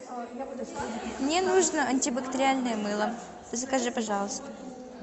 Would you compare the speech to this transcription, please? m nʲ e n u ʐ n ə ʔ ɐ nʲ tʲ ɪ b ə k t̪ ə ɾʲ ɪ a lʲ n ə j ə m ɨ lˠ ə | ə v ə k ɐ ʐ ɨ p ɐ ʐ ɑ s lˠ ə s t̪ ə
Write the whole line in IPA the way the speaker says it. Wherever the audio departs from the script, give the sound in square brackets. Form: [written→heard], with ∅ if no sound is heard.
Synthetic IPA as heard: m nʲ e n u ʐ n ə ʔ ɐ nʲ tʲ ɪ b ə k t̪ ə ɾʲ ɪ a lʲ n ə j ə m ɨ lˠ ə | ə [v→z] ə k ɐ ʐ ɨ p ɐ ʐ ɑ [s→∅] lˠ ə s t̪ ə